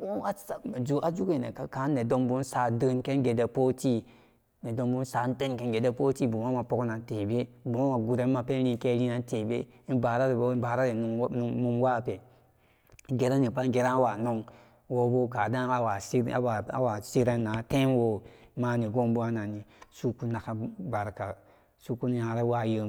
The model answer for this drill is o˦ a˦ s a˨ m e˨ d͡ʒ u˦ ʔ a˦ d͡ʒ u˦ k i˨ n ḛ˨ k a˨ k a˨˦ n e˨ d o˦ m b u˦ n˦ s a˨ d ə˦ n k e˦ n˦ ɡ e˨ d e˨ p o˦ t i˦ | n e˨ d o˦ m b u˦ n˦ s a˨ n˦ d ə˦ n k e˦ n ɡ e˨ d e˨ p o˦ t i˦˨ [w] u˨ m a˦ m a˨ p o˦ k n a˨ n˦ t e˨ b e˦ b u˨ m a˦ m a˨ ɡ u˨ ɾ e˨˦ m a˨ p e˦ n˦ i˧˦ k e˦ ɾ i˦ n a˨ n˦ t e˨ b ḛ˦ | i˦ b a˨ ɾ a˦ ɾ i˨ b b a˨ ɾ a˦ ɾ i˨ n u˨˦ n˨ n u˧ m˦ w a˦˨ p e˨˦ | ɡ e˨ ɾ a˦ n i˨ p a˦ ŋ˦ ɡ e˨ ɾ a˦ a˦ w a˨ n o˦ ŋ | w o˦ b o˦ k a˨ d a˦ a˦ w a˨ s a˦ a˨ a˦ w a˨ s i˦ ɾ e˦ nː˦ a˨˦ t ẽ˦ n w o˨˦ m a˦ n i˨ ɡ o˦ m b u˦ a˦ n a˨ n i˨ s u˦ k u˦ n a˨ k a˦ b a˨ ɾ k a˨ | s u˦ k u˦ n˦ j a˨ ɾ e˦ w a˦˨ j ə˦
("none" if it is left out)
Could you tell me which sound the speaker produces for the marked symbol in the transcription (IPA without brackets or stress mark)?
b